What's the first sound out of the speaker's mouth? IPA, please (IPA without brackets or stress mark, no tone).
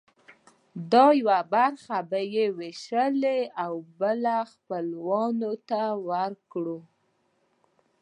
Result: d̪